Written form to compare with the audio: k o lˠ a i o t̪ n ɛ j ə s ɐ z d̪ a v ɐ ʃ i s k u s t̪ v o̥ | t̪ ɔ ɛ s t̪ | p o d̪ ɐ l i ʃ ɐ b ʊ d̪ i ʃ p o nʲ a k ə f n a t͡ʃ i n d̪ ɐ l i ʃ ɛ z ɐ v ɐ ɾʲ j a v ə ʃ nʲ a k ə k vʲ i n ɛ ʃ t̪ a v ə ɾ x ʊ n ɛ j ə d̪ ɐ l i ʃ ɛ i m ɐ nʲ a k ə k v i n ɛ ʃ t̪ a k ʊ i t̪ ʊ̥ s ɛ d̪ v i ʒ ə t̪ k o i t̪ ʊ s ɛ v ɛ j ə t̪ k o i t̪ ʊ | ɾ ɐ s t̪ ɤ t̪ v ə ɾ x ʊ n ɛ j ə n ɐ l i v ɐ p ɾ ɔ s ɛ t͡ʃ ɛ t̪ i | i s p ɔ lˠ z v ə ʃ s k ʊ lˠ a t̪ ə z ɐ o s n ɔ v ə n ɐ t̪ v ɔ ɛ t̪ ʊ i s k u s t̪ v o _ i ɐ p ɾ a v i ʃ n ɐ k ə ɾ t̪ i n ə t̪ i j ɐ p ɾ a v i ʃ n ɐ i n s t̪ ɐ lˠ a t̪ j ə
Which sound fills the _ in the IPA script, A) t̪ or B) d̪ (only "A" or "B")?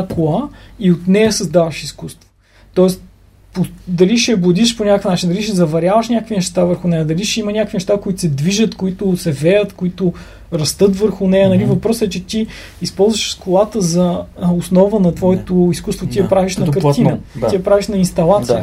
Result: A